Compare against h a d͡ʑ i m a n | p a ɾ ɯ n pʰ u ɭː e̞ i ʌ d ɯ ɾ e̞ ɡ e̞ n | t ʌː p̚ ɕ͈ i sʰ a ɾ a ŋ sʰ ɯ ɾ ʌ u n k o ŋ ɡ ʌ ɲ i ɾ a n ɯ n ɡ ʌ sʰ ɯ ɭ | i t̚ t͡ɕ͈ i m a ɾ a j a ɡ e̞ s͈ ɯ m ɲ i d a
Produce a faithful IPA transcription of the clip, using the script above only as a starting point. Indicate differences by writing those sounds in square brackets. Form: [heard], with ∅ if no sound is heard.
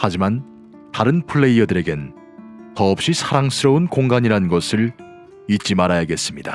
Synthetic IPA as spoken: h a d͡ʑ i m a n | [t] a ɾ ɯ n pʰ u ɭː e̞ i ʌ d ɯ ɾ e̞ ɡ e̞ n | t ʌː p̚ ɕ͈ i sʰ a ɾ a ŋ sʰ ɯ ɾ ʌ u n k o ŋ ɡ [a] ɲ i ɾ a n ɯ n ɡ ʌ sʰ ɯ ɭ | i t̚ t͡ɕ͈ i m a ɾ a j a ɡ e̞ s͈ ɯ m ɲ i d a

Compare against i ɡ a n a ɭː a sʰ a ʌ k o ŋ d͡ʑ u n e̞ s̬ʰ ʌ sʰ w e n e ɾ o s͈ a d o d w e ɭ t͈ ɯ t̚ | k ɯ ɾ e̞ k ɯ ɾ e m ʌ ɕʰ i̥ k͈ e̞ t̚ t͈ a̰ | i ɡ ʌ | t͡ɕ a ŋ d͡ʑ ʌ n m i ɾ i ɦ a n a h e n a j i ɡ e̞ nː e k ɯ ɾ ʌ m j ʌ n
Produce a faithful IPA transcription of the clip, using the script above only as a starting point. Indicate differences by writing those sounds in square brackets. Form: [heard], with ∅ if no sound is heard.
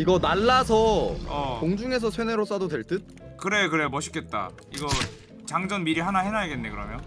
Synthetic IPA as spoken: i ɡ [ʌ] n a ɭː a sʰ [ʌ] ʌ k o ŋ d͡ʑ u [ŋ] e̞ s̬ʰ ʌ sʰ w e n e ɾ o s͈ a d o d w e ɭ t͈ ɯ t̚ | k ɯ ɾ e̞ k ɯ ɾ e m ʌ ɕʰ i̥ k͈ e̞ t̚ t͈ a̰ | i ɡ ʌ | t͡ɕ a ŋ d͡ʑ ʌ n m i ɾ i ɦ a n a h e n a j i ɡ e̞ nː e k ɯ ɾ ʌ m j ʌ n

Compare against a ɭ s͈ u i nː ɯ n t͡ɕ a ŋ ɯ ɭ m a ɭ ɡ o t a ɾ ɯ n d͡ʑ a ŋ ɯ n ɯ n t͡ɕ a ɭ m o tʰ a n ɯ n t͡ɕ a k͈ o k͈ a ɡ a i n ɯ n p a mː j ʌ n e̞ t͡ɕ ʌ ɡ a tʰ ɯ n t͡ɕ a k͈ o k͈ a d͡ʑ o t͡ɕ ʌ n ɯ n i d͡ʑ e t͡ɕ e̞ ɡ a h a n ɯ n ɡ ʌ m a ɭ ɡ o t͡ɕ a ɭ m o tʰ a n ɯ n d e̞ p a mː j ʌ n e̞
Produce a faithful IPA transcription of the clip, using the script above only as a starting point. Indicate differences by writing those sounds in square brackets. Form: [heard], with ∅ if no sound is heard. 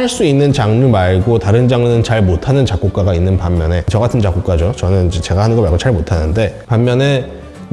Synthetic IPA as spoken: a ɭ s͈ u i nː ɯ n t͡ɕ a ŋ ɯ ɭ m a ɭ ɡ o t a ɾ ɯ n d͡ʑ a ŋ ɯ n ɯ n t͡ɕ a ɭ m o tʰ a n ɯ n t͡ɕ a k͈ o k͈ a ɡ a i [nː] ɯ n p a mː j ʌ n e̞ t͡ɕ ʌ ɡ a tʰ ɯ n t͡ɕ a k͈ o k͈ a d͡ʑ o t͡ɕ ʌ n ɯ n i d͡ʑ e t͡ɕ e̞ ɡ a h a n ɯ n ɡ ʌ m a ɭ ɡ o t͡ɕ a ɭ m o tʰ a n ɯ n d e̞ p a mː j ʌ n e̞

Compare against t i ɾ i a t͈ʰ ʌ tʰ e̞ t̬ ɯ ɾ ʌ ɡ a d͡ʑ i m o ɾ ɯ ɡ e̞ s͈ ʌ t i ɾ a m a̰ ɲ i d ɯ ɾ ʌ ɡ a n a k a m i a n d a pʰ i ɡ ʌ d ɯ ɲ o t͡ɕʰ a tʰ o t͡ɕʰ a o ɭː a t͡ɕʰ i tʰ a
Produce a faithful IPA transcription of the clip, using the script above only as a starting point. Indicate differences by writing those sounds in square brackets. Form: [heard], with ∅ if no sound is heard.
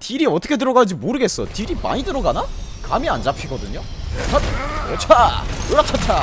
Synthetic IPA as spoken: t i ɾ i [ʌ] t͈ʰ ʌ [kʰ] e̞ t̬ ɯ ɾ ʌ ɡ a d͡ʑ i m o ɾ ɯ ɡ e̞ s͈ ʌ t i ɾ [i] m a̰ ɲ i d ɯ ɾ ʌ ɡ a n a k a m i a n [d͡ʑ] a pʰ i ɡ ʌ d ɯ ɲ o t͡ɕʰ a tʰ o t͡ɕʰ a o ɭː a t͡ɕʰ [a] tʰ a

